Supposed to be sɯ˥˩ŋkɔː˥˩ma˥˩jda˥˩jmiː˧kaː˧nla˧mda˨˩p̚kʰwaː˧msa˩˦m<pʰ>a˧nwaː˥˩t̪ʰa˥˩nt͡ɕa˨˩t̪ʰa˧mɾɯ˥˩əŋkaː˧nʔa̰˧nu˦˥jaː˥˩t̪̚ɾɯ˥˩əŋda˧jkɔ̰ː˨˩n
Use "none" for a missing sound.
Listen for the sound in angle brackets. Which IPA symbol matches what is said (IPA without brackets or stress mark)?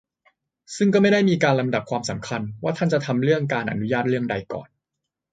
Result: kʰ